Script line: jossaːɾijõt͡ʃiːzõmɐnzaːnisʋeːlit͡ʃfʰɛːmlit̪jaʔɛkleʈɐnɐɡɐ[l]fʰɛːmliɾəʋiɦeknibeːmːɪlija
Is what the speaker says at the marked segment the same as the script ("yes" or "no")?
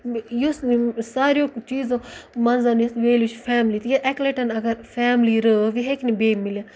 no